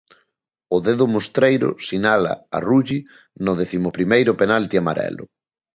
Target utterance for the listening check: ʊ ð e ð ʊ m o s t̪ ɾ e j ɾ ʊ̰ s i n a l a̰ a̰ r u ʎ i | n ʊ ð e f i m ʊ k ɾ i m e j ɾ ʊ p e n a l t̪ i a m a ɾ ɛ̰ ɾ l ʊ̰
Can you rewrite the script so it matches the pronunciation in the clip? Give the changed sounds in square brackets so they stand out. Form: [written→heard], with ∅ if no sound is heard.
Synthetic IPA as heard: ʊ ð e ð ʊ m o s t̪ ɾ e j ɾ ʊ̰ s i n a l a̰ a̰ r u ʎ i | n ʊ ð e [f→θ] i m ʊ [k→p] ɾ i m e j ɾ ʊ p e n a l t̪ i a m a ɾ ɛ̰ [ɾ→∅] l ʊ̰